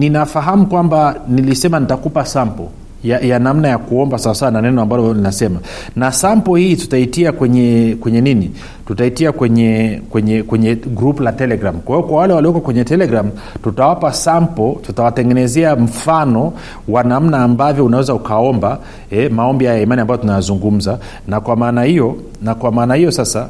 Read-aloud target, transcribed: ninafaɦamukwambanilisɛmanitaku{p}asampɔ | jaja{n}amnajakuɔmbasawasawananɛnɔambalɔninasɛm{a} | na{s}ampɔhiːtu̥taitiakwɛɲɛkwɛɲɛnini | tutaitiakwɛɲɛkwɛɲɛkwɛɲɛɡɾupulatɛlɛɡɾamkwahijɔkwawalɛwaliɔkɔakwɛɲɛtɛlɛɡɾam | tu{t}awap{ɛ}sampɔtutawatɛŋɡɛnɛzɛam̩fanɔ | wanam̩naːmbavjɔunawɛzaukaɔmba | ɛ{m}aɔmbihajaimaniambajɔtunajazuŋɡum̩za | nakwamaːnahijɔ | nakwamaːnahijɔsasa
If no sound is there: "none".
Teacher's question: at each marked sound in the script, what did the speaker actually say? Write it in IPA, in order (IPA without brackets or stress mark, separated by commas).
p, n, a, s, t, a, m